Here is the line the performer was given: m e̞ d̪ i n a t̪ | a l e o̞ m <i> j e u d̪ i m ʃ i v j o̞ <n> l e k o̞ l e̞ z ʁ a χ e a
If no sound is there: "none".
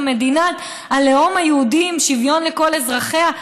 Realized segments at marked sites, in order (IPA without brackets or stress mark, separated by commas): a, n